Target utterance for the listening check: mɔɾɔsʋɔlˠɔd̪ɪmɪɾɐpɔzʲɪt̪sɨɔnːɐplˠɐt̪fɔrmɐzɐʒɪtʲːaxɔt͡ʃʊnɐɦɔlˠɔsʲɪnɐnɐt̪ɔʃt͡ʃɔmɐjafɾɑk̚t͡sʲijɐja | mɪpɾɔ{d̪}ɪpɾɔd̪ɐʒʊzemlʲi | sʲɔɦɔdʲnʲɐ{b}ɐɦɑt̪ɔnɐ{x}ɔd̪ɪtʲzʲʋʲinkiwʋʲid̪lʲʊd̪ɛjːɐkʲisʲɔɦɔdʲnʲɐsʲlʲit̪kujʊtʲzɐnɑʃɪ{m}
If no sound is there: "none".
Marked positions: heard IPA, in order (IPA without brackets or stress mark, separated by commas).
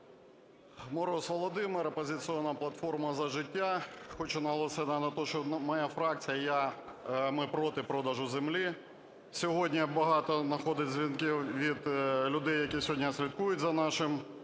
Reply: t̪, b, x, m